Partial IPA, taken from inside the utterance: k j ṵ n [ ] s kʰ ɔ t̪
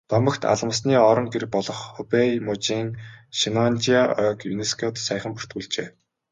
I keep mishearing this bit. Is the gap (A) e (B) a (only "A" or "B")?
A